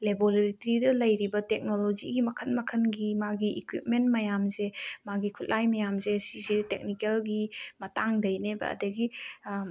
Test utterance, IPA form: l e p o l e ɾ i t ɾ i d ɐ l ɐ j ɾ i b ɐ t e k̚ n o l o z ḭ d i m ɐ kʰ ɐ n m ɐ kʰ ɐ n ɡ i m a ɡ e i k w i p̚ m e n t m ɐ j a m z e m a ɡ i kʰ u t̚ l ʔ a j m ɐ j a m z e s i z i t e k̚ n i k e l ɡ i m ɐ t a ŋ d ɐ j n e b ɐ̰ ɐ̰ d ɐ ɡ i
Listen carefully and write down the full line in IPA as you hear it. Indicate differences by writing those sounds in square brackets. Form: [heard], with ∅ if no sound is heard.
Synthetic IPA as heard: l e [b] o l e ɾ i t ɾ i d ɐ l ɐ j ɾ i b ɐ t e k̚ n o l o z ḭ [ɡ] i m ɐ kʰ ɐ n m ɐ kʰ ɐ n ɡ i m a ɡ [i] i k w i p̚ m e n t m ɐ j a m z e m a ɡ i kʰ u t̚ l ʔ a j m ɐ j a m z e s i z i t e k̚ n i k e l ɡ i m ɐ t a ŋ d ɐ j n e b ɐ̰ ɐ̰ d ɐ ɡ i